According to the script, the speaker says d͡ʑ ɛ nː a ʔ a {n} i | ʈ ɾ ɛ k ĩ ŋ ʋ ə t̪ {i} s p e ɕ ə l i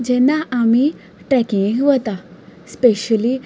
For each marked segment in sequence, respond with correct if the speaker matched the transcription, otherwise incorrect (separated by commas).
incorrect, incorrect